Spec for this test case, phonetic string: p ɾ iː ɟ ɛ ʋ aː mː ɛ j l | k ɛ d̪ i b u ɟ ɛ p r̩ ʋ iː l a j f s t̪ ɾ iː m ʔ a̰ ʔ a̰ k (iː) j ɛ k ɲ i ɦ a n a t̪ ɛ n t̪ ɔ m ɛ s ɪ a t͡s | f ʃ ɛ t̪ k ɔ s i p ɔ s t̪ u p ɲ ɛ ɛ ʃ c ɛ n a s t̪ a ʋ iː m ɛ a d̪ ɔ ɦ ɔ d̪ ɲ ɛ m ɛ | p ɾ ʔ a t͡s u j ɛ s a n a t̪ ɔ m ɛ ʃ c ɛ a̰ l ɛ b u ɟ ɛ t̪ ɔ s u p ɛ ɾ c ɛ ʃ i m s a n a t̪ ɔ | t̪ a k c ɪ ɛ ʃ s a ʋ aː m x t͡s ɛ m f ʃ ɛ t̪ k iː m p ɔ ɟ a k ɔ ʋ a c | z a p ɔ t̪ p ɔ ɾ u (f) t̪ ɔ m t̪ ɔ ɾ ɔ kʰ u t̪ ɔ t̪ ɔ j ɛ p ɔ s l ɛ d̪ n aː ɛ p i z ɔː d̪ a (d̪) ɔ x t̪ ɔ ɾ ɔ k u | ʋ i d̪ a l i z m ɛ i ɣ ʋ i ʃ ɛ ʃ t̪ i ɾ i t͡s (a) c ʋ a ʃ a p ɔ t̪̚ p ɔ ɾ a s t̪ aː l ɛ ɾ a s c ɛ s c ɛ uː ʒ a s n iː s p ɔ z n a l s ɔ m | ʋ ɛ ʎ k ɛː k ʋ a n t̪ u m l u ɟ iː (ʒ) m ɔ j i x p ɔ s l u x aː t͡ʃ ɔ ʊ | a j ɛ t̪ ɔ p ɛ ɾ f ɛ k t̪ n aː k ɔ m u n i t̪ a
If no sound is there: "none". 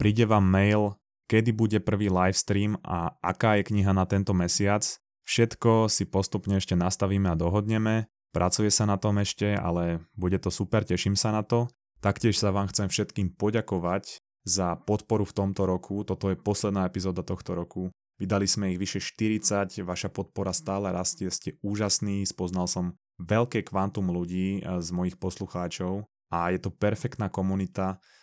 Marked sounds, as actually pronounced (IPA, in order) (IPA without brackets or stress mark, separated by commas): aː, f, t̪, a, z